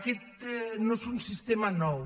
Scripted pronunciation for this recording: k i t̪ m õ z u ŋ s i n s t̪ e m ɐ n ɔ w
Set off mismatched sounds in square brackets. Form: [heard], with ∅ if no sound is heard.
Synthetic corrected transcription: k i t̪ [n] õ [s] u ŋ s i [∅] s t̪ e m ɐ n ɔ w

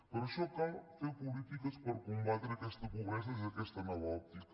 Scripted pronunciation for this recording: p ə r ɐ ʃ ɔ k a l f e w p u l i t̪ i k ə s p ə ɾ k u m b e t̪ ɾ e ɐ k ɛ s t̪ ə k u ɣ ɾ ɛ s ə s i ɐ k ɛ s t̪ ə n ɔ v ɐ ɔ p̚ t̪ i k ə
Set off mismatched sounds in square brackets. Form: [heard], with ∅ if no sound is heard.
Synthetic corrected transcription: p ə [ɾ] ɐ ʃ ɔ k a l f e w p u l i t̪ i k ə s p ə ɾ k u m b [a] t̪ ɾ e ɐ k ɛ s t̪ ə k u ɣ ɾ ɛ s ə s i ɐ k ɛ s t̪ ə n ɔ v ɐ ɔ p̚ t̪ i k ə

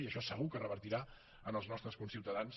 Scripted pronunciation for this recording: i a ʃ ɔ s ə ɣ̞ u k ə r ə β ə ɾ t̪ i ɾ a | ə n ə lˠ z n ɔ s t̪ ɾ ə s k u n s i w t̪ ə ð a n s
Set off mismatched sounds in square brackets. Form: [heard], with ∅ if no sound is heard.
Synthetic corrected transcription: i [ə] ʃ ɔ s ə ɣ̞ u k ə r ə β ə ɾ t̪ i ɾ a | ə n ə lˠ z n ɔ s t̪ ɾ ə s k u n s i w t̪ ə ð a n s

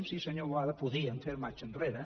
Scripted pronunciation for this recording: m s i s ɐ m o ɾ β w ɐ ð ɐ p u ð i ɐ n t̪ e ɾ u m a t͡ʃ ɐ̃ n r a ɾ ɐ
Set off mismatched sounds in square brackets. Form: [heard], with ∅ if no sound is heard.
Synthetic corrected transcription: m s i s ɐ [ɲ] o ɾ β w [a] ð ɐ p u ð i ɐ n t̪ e ɾ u m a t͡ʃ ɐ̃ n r [e] ɾ ɐ

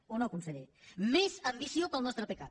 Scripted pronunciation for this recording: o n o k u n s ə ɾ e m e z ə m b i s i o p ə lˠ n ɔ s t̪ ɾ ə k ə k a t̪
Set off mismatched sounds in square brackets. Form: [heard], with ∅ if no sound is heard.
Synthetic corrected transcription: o n o k u n s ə [ʎ] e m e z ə m b i s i o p ə lˠ n ɔ s t̪ ɾ ə [p] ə k a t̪

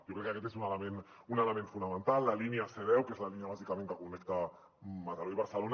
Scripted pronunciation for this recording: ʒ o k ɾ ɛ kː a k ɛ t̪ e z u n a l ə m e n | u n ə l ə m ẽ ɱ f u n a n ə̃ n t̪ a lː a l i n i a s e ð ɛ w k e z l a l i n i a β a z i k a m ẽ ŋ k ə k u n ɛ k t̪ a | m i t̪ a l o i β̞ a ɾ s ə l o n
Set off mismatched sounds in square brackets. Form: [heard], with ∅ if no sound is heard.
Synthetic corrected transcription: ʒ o k ɾ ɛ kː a k ɛ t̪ e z u n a l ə m e n | u n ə l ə m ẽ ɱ f u n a [m] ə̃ n t̪ a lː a l i n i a s e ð ɛ w k e z l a l i n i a β a z i k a m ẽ ŋ k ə k u n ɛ k t̪ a | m [a] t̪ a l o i β̞ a ɾ s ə l o n

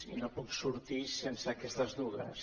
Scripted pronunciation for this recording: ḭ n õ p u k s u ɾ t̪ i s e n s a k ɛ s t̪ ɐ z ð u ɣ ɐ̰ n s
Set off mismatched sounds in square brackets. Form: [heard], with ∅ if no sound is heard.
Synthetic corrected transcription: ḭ n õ p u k s u ɾ t̪ i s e n s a k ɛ s t̪ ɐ z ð u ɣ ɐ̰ [∅] s

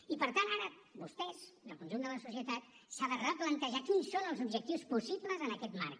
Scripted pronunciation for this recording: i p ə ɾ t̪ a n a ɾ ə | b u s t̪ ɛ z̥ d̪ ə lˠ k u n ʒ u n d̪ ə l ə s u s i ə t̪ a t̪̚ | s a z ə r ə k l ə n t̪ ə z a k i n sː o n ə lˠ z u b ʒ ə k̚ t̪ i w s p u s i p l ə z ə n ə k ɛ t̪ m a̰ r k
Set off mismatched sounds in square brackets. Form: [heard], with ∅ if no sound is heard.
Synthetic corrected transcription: i p ə ɾ t̪ a n a ɾ ə | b u s t̪ ɛ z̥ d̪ ə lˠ k u n ʒ u n d̪ ə l ə s u s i ə t̪ a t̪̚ | s a [ð] ə r ə [p] l ə n t̪ ə [ʒ] a k i n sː o n ə lˠ z u b ʒ ə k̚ t̪ i w s p u s i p l ə z ə n ə k ɛ t̪ m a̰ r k

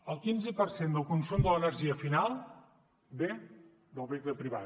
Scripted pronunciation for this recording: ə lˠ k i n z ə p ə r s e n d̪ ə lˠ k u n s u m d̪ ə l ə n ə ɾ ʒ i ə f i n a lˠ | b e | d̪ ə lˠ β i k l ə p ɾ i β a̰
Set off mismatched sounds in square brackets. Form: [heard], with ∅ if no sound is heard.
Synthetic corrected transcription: ə lˠ k i n z ə p ə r s e n d̪ ə lˠ k u n s u m d̪ ə l ə n ə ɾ ʒ i ə f i n a lˠ | b e | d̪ ə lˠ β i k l ə p ɾ i β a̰

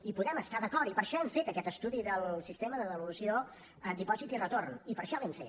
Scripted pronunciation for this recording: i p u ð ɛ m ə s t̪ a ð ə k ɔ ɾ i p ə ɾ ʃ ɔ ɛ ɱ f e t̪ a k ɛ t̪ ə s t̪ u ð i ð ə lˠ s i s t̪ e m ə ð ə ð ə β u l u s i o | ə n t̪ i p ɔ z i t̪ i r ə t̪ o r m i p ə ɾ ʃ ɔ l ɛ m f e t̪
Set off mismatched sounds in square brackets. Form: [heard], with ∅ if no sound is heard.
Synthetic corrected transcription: i p u ð ɛ m ə s t̪ a ð ə k ɔ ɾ i p ə ɾ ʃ ɔ ɛ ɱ f e t̪ [ə] k ɛ t̪ ə s t̪ u ð i ð ə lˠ s i s t̪ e m ə ð ə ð ə β u l u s i o | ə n [d̪] i p ɔ z i t̪ i r ə t̪ o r [n] i p ə ɾ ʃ ɔ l ɛ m f e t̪

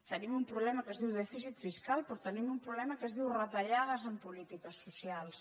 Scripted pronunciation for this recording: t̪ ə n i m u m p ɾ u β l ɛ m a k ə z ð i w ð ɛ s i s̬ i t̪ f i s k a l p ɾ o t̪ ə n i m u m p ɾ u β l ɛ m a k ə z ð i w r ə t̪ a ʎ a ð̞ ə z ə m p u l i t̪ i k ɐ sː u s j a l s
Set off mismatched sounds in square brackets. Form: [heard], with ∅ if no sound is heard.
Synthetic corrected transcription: t̪ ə n i m u m p ɾ u β l ɛ m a k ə z ð i w ð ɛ [f] i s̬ i t̪ f i s k a l p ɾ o t̪ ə n i m u m p ɾ u β l ɛ m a k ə z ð i w r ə t̪ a ʎ a ð̞ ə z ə m p u l i t̪ i k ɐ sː u s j a l s

